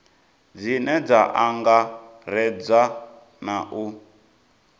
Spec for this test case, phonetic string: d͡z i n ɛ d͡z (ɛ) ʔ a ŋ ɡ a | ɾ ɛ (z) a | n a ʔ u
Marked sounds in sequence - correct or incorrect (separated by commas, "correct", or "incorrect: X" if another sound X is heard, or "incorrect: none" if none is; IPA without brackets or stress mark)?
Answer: incorrect: a, incorrect: d͡z